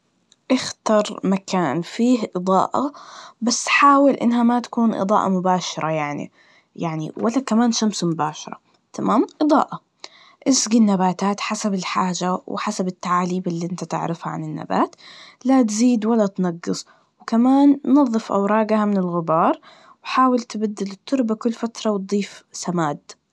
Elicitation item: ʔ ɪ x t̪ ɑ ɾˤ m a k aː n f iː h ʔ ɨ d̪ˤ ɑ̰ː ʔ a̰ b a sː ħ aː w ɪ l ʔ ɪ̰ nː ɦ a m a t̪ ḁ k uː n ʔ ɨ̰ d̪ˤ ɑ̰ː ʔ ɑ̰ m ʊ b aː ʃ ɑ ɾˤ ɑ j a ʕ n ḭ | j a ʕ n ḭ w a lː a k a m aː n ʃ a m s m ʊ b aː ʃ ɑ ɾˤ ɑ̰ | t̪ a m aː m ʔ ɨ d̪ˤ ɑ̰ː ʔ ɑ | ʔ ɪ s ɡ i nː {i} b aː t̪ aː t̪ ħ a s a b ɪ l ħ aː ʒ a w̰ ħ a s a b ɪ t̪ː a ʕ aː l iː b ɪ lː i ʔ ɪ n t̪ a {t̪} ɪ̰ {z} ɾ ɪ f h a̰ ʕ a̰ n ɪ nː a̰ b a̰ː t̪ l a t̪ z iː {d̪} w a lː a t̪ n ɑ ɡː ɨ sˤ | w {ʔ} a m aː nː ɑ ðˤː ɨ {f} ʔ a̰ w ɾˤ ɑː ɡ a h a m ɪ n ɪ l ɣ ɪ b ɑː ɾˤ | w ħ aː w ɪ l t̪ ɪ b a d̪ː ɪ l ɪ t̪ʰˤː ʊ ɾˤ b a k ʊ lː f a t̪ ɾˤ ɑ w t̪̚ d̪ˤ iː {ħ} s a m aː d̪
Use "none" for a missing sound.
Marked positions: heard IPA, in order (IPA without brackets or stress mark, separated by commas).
a, t̪, ʕ, d̪, k, f, f